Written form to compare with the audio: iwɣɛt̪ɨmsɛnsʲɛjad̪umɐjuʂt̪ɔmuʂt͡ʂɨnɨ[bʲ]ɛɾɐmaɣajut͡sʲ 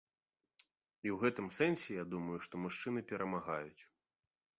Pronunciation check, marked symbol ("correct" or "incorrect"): incorrect